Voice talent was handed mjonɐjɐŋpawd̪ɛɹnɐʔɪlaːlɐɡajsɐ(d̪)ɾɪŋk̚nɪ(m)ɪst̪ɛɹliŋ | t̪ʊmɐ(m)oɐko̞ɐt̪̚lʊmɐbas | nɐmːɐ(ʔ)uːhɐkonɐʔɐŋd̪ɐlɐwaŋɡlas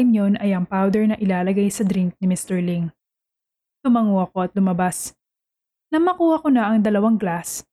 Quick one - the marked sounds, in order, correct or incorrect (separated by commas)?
correct, correct, incorrect, incorrect